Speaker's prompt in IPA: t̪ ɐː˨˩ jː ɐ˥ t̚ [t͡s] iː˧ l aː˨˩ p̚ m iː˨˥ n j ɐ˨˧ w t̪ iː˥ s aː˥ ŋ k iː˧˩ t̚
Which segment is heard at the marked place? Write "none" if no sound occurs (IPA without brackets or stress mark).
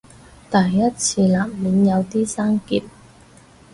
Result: t͡sʰ